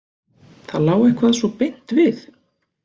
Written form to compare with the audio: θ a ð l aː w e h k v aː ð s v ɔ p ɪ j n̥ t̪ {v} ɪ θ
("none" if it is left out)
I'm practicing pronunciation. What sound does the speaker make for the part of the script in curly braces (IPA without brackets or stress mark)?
v